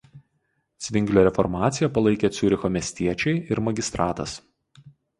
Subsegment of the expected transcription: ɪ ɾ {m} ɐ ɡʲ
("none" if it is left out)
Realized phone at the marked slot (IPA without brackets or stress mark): m